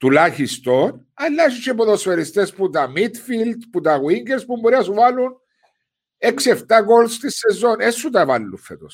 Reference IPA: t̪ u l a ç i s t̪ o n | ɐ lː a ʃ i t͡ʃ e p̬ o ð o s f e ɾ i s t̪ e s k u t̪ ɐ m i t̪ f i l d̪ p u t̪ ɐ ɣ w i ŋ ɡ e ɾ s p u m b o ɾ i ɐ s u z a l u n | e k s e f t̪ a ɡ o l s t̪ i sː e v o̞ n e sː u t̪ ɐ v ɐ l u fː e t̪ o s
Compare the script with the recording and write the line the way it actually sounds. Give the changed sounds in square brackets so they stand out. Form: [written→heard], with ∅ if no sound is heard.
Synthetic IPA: t̪ u l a ç i s t̪ o n | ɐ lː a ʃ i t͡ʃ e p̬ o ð o s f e ɾ i s t̪ e s [k→p] u t̪ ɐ m i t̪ f i l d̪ p u t̪ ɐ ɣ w i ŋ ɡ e ɾ s p u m b o ɾ i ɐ s u [z→v] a l u n | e k s e f t̪ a ɡ o l s t̪ i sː e [v→z] o̞ n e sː u t̪ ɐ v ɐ [l→lː] u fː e t̪ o s